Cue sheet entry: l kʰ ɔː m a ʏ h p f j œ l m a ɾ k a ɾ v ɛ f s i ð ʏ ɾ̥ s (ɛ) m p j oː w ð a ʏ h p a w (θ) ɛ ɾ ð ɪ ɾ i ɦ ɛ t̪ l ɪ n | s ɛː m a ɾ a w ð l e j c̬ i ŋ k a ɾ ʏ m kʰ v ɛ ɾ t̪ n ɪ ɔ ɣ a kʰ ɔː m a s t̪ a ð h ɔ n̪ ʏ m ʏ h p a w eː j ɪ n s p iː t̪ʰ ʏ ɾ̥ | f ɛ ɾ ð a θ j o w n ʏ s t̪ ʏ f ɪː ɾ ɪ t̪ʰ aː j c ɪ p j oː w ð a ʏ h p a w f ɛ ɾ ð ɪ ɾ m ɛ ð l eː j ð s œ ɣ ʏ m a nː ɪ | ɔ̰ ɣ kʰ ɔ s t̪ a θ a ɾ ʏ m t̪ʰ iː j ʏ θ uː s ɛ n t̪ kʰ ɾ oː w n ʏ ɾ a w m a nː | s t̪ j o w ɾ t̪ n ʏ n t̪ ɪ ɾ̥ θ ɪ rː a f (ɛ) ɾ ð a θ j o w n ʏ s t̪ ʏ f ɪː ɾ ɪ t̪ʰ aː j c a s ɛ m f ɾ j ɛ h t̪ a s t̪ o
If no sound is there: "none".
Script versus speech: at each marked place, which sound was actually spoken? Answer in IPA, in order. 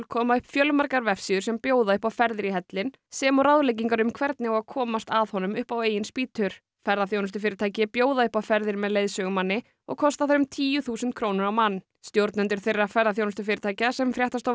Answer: ɛ, f, ɛ

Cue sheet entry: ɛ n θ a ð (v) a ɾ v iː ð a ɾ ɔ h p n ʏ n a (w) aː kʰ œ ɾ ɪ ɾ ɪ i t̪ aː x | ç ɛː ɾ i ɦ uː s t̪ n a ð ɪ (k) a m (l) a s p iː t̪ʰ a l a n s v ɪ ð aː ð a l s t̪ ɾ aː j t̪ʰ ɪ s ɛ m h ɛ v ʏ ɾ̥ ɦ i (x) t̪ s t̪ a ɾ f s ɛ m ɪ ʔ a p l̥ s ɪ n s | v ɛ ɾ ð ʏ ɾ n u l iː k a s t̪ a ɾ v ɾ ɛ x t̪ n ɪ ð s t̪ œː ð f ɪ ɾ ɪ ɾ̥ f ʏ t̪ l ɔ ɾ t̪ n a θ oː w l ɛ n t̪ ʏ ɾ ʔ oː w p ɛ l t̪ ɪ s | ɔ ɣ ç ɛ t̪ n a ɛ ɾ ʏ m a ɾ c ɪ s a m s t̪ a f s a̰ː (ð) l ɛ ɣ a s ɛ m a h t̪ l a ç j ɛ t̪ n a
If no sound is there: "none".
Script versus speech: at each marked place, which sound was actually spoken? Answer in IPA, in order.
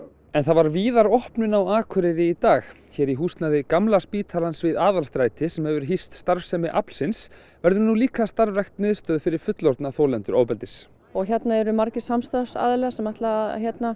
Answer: v, w, k, l, s, ð

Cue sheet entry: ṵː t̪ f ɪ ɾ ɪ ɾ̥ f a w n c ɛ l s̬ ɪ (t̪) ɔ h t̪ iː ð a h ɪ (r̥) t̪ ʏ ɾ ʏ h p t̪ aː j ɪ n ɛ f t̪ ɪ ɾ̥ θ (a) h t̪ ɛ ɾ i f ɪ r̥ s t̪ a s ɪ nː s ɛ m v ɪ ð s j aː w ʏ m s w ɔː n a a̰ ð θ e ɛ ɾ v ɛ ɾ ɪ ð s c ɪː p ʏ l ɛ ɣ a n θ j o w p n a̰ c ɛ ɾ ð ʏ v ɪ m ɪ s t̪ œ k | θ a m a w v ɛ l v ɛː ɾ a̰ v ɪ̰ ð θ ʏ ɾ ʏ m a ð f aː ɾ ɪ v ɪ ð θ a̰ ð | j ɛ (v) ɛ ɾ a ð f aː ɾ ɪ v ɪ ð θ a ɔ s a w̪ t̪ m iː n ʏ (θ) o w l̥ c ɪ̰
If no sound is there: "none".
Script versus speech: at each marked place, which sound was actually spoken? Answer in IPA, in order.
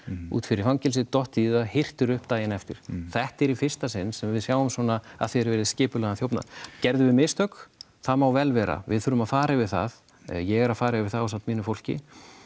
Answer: t̪, r̥, ɛ, ɣ, f

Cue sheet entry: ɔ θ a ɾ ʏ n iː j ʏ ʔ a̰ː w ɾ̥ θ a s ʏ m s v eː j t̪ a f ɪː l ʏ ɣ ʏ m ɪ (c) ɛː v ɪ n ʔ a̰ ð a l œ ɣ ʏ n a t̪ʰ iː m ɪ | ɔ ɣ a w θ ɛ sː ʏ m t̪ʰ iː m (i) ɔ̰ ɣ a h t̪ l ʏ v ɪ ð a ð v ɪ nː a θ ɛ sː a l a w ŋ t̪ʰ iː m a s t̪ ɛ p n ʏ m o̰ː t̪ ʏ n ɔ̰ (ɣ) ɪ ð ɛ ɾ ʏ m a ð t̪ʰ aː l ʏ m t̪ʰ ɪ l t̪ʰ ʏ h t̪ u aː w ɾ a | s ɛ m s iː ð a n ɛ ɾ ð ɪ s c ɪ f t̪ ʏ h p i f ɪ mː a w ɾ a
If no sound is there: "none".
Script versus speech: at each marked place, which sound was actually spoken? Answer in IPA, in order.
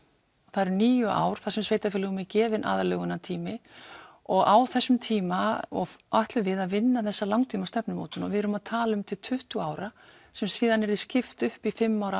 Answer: c, a, v

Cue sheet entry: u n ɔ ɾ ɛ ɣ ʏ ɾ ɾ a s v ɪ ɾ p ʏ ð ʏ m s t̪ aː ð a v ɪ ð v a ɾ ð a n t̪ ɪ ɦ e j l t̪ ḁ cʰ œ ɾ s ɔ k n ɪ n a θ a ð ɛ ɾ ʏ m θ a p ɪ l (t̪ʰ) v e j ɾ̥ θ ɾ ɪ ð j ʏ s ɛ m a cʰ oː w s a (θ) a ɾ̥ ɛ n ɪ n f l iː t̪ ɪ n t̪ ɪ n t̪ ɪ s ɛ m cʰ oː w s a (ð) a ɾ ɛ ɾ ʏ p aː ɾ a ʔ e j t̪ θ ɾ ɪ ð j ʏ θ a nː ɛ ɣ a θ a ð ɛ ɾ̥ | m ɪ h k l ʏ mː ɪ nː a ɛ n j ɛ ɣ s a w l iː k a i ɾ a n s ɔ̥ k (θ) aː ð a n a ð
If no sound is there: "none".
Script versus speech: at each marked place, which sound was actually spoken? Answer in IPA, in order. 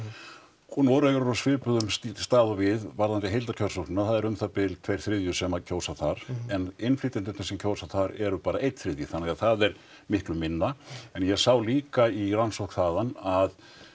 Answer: t̪ʰ, θ, θ, θ

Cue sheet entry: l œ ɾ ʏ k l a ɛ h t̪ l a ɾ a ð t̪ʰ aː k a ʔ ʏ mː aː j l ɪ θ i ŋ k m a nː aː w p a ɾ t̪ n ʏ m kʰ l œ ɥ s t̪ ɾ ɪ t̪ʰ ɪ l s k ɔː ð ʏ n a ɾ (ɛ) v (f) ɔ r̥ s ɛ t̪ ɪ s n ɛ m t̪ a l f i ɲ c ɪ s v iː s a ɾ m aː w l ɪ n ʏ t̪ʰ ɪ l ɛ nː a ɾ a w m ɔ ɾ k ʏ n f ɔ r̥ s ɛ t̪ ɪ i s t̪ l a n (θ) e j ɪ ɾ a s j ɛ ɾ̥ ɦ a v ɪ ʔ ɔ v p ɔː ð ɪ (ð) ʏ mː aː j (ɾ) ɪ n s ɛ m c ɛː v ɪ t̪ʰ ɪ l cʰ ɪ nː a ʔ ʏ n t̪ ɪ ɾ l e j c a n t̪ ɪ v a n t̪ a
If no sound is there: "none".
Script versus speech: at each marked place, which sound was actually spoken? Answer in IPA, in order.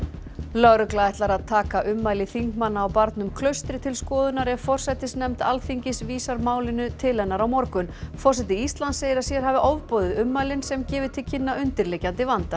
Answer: ɛ, f, s, ð, l

